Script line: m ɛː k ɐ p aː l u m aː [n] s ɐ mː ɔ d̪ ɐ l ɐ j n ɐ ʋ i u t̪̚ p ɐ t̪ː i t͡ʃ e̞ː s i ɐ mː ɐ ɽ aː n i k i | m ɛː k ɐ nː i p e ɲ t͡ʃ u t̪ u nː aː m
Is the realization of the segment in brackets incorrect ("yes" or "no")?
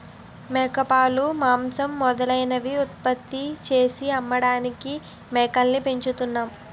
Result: yes